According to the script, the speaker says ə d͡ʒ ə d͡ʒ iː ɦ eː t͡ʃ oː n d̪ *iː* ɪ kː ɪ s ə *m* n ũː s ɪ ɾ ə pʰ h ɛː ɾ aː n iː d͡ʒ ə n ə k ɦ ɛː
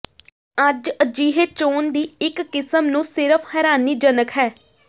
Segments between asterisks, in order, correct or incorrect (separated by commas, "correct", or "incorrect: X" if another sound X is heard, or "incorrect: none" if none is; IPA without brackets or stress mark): correct, correct